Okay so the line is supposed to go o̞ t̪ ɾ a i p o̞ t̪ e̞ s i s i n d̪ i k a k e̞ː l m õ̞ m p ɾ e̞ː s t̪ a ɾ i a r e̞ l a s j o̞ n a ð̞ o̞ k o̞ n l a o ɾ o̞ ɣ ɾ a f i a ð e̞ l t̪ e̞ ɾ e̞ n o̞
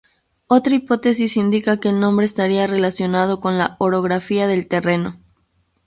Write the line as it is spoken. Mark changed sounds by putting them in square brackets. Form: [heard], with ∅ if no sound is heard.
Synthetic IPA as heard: o̞ t̪ ɾ a i p o̞ t̪ e̞ s i s i n d̪ i k a k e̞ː l [n] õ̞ m [b] ɾ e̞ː s t̪ a ɾ i a r e̞ l a s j o̞ n a ð̞ o̞ k o̞ n l a o ɾ o̞ ɣ ɾ a f i a ð e̞ l t̪ e̞ [r] e̞ n o̞